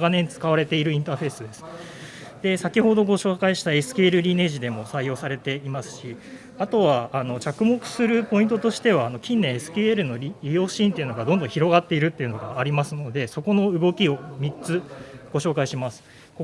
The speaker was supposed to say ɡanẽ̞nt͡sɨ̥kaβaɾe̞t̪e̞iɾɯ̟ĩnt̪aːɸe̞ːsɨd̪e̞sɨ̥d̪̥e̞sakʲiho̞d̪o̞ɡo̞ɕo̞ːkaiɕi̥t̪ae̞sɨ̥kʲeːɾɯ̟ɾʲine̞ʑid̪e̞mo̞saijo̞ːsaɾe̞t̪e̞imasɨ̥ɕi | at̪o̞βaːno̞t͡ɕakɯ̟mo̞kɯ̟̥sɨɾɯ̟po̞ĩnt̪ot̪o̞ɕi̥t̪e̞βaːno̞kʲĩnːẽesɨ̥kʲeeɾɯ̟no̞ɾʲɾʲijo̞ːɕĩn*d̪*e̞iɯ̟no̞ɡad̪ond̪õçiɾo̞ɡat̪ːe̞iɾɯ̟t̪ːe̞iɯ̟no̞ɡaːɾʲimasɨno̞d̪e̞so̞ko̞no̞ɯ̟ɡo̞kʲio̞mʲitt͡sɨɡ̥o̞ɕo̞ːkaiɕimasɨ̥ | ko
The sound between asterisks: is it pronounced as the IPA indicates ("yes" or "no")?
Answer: no